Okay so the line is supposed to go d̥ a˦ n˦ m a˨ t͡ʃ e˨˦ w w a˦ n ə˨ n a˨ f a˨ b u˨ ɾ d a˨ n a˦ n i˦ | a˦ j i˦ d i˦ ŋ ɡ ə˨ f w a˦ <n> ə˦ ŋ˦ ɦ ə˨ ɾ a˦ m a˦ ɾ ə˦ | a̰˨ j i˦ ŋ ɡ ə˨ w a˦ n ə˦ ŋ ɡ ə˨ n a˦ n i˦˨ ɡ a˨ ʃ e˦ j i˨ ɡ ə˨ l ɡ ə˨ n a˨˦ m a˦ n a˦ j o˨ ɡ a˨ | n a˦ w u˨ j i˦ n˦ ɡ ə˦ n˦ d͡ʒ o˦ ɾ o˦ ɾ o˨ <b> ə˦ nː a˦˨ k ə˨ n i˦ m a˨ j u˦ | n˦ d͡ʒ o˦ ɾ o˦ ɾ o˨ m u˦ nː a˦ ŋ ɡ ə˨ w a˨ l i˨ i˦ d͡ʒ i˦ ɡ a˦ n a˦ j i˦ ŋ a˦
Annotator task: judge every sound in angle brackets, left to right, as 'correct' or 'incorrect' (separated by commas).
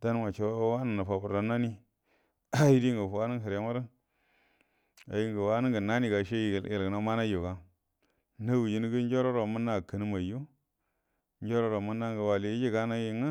correct, incorrect